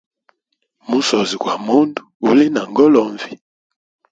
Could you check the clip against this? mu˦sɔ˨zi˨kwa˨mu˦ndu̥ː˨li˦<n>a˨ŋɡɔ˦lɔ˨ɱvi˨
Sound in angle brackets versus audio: correct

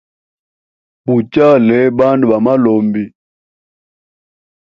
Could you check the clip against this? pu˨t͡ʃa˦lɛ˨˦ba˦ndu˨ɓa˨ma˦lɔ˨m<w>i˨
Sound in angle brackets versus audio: incorrect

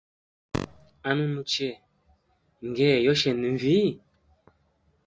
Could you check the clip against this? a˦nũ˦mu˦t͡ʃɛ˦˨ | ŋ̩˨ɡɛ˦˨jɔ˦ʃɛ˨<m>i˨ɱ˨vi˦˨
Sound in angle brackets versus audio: incorrect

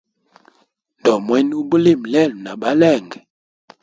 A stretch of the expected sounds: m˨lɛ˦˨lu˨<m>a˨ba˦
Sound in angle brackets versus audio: incorrect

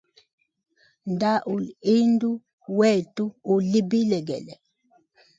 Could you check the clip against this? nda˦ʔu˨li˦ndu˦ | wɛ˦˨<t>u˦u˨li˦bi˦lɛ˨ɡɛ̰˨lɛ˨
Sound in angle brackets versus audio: correct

